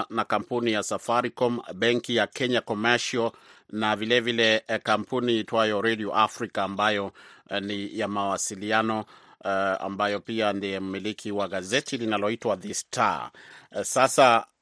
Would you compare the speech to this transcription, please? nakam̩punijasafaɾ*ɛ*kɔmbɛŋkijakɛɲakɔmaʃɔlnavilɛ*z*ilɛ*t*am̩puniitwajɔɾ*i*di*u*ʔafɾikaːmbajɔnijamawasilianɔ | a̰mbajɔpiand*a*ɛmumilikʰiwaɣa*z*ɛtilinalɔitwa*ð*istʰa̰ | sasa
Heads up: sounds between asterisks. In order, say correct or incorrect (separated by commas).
incorrect, incorrect, incorrect, incorrect, incorrect, incorrect, correct, correct